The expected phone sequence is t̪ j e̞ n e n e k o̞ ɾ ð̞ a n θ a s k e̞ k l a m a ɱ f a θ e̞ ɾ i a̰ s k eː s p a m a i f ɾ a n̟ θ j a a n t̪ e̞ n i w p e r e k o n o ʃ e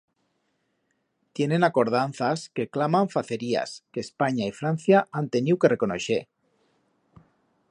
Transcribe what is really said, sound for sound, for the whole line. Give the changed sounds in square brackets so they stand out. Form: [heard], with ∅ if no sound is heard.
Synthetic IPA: t̪ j e̞ n e n [a] k o̞ ɾ ð̞ a n θ a s k e̞ k l a m a ɱ f a θ e̞ ɾ i a̰ s k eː s p a [ɲ] a i f ɾ a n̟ θ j a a n t̪ e̞ n i w [k] e r e k o n o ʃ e